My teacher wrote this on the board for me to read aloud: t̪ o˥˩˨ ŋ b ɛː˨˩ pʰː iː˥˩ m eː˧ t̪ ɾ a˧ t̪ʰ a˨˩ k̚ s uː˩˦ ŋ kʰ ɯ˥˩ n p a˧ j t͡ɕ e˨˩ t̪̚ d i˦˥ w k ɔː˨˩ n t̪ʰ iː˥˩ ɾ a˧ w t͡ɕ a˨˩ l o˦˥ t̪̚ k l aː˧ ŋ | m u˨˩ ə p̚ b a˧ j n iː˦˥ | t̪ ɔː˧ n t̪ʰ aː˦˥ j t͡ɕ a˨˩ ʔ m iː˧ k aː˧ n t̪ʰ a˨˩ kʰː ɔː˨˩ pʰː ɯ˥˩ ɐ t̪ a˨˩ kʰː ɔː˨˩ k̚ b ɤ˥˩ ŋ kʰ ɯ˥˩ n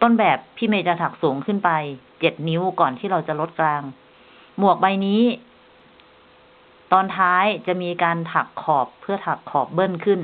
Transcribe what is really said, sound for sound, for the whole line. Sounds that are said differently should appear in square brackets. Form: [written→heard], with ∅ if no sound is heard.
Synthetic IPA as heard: t̪ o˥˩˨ [ŋ→n] b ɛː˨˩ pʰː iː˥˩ m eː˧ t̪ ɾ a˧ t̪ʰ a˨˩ k̚ s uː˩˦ ŋ kʰ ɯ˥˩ n p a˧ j t͡ɕ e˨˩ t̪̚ [d→n] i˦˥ w k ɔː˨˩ n t̪ʰ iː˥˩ ɾ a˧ w t͡ɕ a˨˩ l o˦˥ t̪̚ k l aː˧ ŋ | m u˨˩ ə [p̚→k̚] b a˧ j n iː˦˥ | t̪ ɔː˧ n t̪ʰ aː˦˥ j t͡ɕ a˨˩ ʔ m iː˧ k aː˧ n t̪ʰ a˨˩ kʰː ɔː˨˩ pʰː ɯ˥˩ ɐ [t̪→t̪ʰ] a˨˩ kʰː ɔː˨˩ [k̚→p̚] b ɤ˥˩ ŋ kʰ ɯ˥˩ n